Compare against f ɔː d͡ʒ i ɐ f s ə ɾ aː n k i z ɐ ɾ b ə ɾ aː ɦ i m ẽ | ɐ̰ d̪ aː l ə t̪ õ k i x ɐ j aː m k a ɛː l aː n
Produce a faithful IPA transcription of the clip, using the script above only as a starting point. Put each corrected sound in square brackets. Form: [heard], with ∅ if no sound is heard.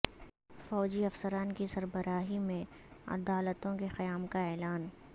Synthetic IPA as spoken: f ɔː d͡ʒ i ɐ f s ə ɾ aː n k i [s] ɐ ɾ b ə ɾ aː ɦ i m ẽ | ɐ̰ d̪ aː l ə t̪ õ k [e] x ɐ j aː m k a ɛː l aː n